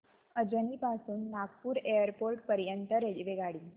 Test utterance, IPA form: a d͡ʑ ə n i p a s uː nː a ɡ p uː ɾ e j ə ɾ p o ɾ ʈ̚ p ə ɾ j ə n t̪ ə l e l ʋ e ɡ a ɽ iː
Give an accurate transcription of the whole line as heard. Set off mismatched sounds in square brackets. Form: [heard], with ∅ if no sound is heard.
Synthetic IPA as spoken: [ə] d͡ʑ ə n i p a s uː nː a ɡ p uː ɾ e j ə ɾ p o ɾ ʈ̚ p ə ɾ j ə n t̪ ə [ɾ] e l ʋ e ɡ a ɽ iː